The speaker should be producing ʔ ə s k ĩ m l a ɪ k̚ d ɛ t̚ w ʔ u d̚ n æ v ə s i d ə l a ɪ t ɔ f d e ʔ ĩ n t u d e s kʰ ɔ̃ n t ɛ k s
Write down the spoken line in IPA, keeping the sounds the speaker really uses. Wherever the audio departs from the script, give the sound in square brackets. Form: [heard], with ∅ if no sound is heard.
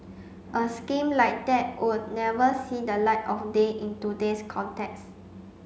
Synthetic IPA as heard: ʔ ə s k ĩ m l a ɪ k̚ d ɛ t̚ w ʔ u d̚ n [ɛ] v ə s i d ə l a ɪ t ɔ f d e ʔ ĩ n t u d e s kʰ ɔ̃ n t ɛ k s